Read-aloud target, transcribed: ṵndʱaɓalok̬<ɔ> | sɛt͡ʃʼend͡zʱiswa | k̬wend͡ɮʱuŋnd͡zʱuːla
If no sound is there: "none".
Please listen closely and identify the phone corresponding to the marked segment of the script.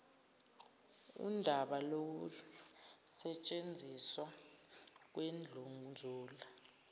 u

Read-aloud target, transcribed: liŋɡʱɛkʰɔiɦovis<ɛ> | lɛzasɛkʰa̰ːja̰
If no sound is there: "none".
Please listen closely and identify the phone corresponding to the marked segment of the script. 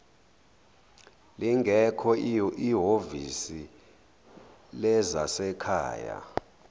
i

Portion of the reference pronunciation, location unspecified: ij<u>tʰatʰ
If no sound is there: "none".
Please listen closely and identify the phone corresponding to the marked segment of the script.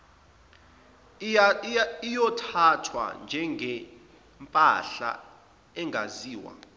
ɔ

